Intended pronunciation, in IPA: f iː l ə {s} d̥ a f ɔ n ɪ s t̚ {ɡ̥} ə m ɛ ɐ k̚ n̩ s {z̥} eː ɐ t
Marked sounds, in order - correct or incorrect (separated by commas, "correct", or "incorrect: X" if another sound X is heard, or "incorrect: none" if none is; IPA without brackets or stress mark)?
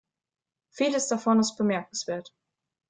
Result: correct, incorrect: b̥, incorrect: v̥